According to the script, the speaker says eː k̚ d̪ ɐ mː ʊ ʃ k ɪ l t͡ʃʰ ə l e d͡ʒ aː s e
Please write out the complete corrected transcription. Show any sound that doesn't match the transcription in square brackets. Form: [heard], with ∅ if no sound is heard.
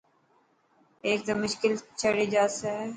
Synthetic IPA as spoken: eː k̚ d̪ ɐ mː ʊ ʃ k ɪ l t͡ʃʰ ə [ɽ] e d͡ʒ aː s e